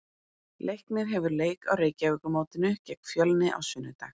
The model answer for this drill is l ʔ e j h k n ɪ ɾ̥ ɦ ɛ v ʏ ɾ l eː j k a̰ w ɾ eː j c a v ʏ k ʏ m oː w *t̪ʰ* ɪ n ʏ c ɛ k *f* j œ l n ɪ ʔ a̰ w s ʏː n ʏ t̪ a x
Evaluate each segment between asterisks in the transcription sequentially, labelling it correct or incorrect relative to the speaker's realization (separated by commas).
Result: incorrect, correct